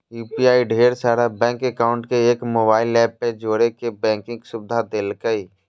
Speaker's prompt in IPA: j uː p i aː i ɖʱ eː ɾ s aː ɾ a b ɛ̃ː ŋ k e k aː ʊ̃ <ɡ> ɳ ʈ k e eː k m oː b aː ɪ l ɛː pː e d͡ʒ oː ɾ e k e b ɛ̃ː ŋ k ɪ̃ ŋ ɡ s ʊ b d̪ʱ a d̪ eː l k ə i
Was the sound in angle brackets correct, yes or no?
no